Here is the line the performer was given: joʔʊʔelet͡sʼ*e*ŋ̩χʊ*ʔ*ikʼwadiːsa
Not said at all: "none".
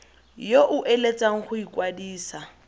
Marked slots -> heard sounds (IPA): a, none

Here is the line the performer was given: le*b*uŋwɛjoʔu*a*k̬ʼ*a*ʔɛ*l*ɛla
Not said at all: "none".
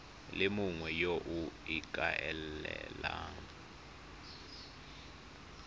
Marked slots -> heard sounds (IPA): m, i, a, l

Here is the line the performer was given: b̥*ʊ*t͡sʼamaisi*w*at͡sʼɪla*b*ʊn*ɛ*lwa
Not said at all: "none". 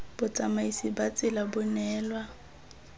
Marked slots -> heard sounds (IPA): ʊ, b, b, ɛː

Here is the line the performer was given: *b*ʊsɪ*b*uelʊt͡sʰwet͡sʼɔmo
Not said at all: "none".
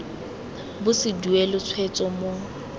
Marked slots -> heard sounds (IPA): b, d

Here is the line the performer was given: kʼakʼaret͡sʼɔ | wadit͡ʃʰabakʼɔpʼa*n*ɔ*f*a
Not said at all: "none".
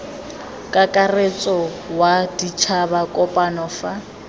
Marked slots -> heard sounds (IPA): n, f

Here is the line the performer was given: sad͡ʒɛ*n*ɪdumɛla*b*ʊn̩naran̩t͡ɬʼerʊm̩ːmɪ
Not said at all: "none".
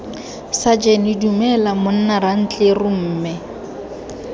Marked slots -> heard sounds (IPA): n, m

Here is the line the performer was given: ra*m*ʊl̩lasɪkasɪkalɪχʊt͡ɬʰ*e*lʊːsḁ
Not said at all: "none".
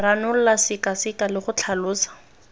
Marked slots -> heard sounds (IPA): n, a

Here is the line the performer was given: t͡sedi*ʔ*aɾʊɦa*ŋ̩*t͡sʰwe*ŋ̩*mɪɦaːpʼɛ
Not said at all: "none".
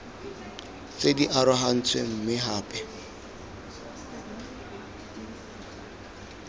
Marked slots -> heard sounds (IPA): ʔ, n̩, m̩

